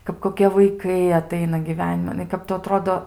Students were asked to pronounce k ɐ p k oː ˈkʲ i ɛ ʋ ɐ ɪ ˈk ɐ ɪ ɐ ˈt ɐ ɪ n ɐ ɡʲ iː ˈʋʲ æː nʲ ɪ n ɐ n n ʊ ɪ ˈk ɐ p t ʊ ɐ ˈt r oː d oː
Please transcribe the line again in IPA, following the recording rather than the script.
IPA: k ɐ p k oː ˈkʲ i ɛ ʋ ɐ ɪ ˈk ɐ ɪ ɐ ˈt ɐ ɪ n ɐ ɡʲ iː ˈʋʲ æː nʲ ɪ m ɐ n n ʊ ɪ ˈk ɐ p t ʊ ɐ ˈt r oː d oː

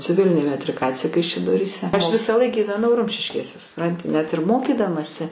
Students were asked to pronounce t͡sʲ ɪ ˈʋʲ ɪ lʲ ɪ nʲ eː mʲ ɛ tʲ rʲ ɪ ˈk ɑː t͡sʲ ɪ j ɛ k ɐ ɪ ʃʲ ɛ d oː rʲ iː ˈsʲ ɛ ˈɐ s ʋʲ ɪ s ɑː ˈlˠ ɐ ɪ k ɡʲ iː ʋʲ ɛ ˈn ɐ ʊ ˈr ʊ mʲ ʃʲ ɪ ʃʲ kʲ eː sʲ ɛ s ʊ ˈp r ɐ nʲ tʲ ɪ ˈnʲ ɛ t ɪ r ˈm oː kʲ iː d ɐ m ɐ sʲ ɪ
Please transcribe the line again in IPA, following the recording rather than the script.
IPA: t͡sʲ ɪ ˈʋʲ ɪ lʲ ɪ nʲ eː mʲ ɛ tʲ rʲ ɪ ˈk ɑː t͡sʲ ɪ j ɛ k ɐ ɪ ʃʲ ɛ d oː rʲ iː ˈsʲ ɛ ˈɐ ʃ ʋʲ ɪ s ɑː ˈlˠ ɐ ɪ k ɡʲ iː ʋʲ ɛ ˈn ɐ ʊ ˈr ʊ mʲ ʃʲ ɪ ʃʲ kʲ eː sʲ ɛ s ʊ ˈp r ɐ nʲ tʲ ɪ ˈnʲ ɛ t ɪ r ˈm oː kʲ iː d ɐ m ɐ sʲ ɪ

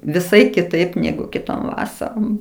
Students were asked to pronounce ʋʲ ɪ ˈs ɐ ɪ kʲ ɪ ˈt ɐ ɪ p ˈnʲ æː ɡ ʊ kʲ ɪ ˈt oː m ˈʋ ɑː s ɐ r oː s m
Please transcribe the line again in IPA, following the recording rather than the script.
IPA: ʋʲ ɪ ˈs ɐ ɪ kʲ ɪ ˈt ɐ ɪ p ˈnʲ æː ɡ ʊ kʲ ɪ ˈt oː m ˈʋ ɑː s ɐ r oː m

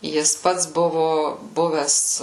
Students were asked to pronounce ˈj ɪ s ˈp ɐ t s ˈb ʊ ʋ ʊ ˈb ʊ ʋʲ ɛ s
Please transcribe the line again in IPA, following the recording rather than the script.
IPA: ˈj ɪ s ˈp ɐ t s ˈb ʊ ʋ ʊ ˈb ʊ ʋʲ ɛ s

